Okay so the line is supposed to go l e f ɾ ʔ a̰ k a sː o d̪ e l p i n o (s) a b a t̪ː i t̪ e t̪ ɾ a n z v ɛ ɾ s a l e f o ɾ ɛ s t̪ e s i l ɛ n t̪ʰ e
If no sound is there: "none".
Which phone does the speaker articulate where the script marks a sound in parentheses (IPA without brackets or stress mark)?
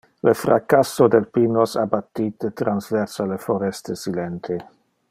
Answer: s